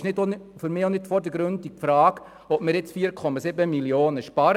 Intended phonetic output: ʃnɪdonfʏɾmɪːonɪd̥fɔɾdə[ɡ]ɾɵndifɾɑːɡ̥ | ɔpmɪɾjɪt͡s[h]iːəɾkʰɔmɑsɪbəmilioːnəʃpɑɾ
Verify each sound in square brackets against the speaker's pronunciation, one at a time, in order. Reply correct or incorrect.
correct, incorrect

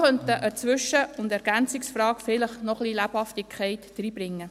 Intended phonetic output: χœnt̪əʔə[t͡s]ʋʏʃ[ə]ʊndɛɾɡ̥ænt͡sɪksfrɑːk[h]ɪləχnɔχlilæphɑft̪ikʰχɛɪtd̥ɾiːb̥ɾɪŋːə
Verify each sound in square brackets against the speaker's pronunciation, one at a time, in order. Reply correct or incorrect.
correct, correct, incorrect

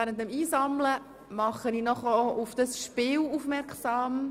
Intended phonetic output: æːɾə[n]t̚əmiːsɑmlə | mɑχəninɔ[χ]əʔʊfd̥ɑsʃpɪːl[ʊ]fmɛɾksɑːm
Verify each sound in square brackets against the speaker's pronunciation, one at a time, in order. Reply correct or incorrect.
correct, correct, incorrect

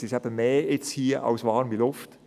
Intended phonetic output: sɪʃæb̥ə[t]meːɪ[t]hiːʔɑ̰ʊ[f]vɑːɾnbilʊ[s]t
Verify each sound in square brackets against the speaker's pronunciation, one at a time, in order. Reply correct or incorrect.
incorrect, incorrect, incorrect, incorrect

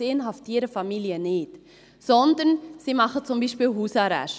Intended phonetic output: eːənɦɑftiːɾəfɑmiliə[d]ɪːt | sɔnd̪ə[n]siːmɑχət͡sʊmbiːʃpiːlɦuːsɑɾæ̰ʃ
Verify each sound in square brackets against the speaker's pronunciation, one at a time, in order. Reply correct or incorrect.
incorrect, correct

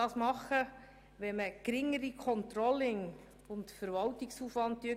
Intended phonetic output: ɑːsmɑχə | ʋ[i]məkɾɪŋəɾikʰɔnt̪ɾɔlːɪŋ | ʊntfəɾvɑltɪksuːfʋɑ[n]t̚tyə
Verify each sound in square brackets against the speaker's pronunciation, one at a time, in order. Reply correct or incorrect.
incorrect, correct

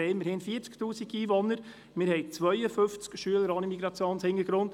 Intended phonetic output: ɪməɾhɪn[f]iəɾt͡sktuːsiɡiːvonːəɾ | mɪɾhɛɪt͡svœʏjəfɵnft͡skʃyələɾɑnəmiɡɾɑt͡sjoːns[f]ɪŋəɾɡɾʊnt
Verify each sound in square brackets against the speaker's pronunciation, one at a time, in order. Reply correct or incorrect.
correct, incorrect

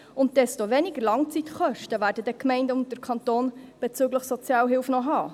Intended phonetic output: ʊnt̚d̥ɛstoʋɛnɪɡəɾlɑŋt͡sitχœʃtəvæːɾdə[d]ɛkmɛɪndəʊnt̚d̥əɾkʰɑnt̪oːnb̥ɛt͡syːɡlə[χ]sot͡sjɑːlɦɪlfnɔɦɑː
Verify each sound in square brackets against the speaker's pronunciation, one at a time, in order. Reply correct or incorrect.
correct, correct

